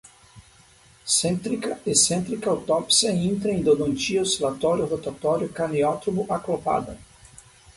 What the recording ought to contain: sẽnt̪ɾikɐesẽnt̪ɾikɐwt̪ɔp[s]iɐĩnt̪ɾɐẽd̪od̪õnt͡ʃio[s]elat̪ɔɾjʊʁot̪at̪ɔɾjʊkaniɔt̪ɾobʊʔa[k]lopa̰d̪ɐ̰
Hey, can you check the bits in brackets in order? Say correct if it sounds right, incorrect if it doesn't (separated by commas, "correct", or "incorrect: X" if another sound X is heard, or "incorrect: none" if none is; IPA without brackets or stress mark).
correct, correct, correct